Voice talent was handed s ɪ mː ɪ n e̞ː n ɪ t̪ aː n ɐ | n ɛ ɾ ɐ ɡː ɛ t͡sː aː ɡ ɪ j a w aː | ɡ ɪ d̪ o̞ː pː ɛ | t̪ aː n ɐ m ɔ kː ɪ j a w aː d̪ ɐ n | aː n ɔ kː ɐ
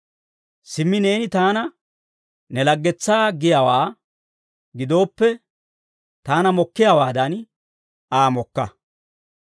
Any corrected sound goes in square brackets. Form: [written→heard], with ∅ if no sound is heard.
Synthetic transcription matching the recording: s ɪ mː ɪ n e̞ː n ɪ t̪ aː n ɐ | n ɛ [ɾ→l] ɐ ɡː ɛ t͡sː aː ɡ ɪ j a w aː | ɡ ɪ d̪ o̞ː pː ɛ | t̪ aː n ɐ m ɔ kː ɪ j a w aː d̪ ɐ n | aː [n→m] ɔ kː ɐ

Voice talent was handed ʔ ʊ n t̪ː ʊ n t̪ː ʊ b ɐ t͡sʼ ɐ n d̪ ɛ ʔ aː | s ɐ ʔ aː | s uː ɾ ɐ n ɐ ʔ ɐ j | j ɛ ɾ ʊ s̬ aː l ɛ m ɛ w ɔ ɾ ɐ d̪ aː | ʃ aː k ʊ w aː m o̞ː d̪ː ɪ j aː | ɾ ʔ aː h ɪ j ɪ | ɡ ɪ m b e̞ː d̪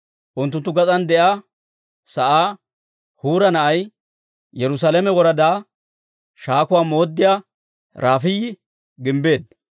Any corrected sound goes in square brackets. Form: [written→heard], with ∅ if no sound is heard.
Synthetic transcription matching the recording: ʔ ʊ n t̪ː ʊ n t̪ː ʊ [b→ɡ] ɐ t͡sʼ ɐ n d̪ ɛ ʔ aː | s ɐ ʔ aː | [s→h] uː ɾ ɐ n ɐ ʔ ɐ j | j ɛ ɾ ʊ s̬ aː l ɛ m ɛ w ɔ ɾ ɐ d̪ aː | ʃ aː k ʊ w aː m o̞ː d̪ː ɪ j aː | ɾ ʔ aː [h→f] ɪ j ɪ | ɡ ɪ m b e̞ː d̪

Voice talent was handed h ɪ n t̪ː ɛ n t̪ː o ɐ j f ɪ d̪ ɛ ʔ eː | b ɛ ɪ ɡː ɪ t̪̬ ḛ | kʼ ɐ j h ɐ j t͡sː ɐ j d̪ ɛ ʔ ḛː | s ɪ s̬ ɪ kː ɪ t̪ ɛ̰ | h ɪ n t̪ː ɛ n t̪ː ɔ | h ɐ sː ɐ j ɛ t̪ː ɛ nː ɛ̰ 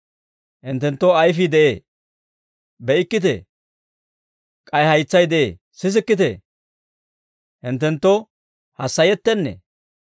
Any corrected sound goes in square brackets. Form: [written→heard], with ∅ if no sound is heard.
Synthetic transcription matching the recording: h ɪ n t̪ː ɛ n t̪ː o ɐ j f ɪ d̪ ɛ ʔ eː | b ɛ ɪ [ɡː→kː] ɪ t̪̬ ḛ | kʼ ɐ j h ɐ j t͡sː ɐ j d̪ ɛ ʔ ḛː | s ɪ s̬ ɪ kː ɪ t̪ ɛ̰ | h ɪ n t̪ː ɛ n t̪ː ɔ | h ɐ sː ɐ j ɛ t̪ː ɛ nː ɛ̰

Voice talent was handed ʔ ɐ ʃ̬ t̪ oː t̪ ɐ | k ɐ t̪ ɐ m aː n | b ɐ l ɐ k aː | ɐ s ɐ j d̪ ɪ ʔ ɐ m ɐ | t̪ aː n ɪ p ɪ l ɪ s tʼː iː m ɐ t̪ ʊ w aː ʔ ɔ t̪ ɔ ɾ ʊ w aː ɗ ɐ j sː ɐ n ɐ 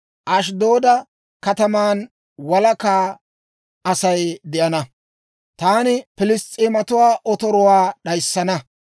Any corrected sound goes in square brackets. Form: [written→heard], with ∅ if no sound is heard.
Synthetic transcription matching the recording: ʔ ɐ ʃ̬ [t̪→d̪] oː [t̪→d̪] ɐ | k ɐ t̪ ɐ m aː n | [b→w] ɐ l ɐ k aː | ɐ s ɐ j d̪ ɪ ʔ ɐ [m→n] ɐ | t̪ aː n ɪ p ɪ l ɪ s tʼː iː m ɐ t̪ ʊ w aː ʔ ɔ t̪ ɔ ɾ ʊ w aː ɗ ɐ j sː ɐ n ɐ

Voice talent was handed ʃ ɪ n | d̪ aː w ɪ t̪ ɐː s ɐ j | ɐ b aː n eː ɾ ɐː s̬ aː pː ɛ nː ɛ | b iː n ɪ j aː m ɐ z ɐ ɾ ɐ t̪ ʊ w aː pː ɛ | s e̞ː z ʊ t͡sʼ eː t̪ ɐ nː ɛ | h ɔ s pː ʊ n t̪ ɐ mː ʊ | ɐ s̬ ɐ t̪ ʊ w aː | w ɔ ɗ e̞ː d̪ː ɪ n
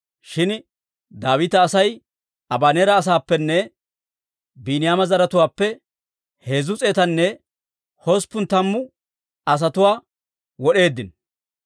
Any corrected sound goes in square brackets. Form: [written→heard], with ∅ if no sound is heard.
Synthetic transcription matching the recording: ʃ ɪ n | d̪ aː w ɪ t̪ ɐː s ɐ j | ɐ b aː n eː ɾ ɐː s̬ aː pː ɛ nː ɛ | b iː n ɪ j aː m ɐ z ɐ ɾ ɐ t̪ ʊ w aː pː ɛ | [s→h] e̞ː z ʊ t͡sʼ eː t̪ ɐ nː ɛ | h ɔ s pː ʊ n t̪ ɐ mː ʊ | ɐ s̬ ɐ t̪ ʊ w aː | w ɔ ɗ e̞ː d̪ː ɪ n

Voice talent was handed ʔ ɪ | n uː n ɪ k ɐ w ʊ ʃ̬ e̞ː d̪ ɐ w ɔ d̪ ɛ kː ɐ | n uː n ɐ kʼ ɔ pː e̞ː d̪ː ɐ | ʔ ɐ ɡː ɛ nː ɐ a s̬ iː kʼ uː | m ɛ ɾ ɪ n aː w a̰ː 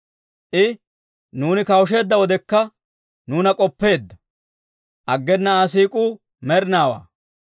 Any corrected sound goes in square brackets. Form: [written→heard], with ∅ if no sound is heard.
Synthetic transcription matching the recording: ʔ ɪ | n uː n ɪ k ɐ w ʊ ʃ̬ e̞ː [d̪→d̪ː] ɐ w ɔ d̪ ɛ kː ɐ | n uː n ɐ kʼ ɔ pː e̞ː d̪ː ɐ | ʔ ɐ ɡː ɛ nː ɐ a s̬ iː kʼ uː | m ɛ ɾ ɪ n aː w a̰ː

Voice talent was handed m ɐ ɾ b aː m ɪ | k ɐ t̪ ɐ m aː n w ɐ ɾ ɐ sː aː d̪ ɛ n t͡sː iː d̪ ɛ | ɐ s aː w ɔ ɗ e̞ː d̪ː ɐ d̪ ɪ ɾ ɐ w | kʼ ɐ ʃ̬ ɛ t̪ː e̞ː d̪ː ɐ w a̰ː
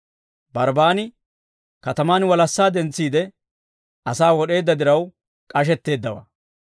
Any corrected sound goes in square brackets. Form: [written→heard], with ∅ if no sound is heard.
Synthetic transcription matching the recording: [m→b] ɐ ɾ b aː [m→n] ɪ | k ɐ t̪ ɐ m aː n w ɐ [ɾ→l] ɐ sː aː d̪ ɛ n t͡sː iː d̪ ɛ | ɐ s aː w ɔ ɗ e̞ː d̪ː ɐ d̪ ɪ ɾ ɐ w | kʼ ɐ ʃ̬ ɛ t̪ː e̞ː d̪ː ɐ w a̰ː

